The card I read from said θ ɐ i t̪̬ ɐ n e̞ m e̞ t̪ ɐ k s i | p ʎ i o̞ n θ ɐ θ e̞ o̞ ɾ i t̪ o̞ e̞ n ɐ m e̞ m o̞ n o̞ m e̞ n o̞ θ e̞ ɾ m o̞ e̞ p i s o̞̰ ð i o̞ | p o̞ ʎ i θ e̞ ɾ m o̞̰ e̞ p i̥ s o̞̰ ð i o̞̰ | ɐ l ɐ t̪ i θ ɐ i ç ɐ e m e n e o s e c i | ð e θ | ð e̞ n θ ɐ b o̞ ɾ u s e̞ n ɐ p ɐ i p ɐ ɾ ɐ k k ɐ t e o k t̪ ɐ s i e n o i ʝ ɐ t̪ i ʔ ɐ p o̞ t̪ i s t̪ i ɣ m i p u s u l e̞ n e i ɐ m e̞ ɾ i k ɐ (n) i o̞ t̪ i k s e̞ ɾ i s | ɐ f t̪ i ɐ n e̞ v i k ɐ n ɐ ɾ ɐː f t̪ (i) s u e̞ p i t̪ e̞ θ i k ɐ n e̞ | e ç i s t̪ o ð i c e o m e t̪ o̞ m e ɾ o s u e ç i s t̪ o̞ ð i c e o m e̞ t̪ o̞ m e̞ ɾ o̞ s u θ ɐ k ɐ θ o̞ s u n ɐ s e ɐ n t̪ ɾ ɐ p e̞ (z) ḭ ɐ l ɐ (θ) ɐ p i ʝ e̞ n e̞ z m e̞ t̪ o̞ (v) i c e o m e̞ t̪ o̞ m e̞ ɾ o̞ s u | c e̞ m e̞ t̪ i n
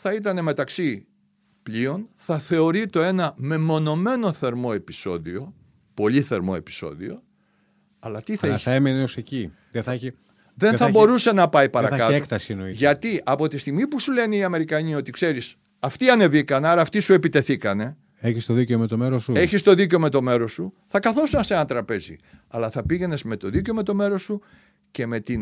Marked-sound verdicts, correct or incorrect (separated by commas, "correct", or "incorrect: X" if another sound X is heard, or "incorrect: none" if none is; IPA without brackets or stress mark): incorrect: ɲ, correct, correct, correct, incorrect: ð